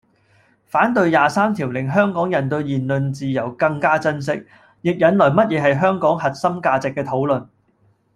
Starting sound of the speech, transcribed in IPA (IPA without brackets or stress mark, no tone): f